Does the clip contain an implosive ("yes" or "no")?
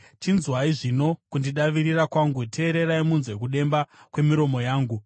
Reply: yes